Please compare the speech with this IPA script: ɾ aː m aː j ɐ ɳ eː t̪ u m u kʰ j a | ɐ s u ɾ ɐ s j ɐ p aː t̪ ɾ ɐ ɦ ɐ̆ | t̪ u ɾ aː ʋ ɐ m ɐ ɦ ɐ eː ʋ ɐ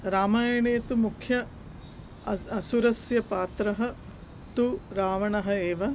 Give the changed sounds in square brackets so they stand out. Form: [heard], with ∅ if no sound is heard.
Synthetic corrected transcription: ɾ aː m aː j ɐ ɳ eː t̪ u m u kʰ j [ɐ] | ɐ s u ɾ ɐ s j ɐ p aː t̪ ɾ ɐ ɦ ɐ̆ | t̪ u ɾ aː ʋ ɐ [ɳ] ɐ ɦ ɐ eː ʋ ɐ

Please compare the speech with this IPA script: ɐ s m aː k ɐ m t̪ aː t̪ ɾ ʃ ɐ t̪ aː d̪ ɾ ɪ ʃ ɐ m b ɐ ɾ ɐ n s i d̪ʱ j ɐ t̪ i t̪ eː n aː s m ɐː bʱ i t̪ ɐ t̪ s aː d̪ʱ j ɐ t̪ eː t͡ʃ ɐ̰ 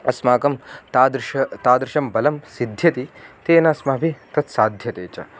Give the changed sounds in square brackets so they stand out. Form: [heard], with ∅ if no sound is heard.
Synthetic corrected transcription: ɐ s m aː k ɐ m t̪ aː [d̪] ɾ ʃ ɐ t̪ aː d̪ ɾ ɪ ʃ ɐ m b ɐ [l] ɐ [m] s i d̪ʱ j ɐ t̪ i t̪ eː n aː s m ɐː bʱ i t̪ ɐ t̪ s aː d̪ʱ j ɐ t̪ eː t͡ʃ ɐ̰

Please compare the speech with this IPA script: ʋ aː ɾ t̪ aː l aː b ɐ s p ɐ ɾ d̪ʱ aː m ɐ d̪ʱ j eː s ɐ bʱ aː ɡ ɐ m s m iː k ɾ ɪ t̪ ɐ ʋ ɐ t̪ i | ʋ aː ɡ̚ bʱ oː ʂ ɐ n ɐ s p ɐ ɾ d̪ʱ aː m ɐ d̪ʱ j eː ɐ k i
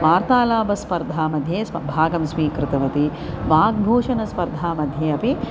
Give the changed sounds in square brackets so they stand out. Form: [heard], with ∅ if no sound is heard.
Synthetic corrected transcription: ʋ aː ɾ t̪ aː l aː b ɐ s p ɐ ɾ d̪ʱ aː m ɐ d̪ʱ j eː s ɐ bʱ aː ɡ ɐ m s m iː k ɾ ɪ t̪ ɐ ʋ ɐ t̪ i | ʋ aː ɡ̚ bʱ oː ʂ ɐ n ɐ s p ɐ ɾ d̪ʱ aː m ɐ d̪ʱ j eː ɐ [p] i

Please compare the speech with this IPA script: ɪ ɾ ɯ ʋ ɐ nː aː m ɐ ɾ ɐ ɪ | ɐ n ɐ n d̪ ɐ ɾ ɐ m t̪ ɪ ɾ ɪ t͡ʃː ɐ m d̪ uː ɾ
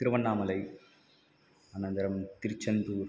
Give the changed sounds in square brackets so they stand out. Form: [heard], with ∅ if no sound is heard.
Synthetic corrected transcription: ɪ ɾ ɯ ʋ ɐ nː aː m ɐ [l] ɐ ɪ | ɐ n ɐ n d̪ ɐ ɾ ɐ m t̪ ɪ ɾ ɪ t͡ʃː ɐ [n] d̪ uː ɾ

